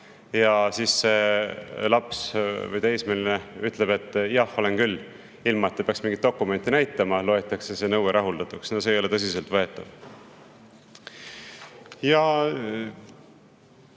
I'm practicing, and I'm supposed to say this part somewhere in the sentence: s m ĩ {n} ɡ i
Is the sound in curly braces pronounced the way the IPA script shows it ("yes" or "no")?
no